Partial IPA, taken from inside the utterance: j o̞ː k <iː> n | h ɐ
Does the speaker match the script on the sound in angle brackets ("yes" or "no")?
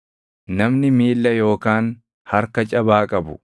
no